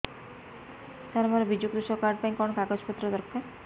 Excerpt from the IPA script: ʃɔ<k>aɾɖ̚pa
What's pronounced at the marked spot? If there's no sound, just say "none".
k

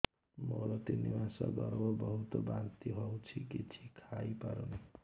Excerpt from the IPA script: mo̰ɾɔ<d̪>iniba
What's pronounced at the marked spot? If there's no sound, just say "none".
t̪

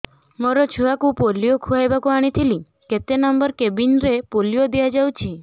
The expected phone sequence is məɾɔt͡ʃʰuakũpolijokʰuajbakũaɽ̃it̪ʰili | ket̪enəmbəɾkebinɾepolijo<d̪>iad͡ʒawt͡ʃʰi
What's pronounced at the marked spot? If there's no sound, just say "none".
d̪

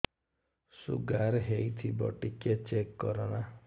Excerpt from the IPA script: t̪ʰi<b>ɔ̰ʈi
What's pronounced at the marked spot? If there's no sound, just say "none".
b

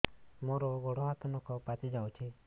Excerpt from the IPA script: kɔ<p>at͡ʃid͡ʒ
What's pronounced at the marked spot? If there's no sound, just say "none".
p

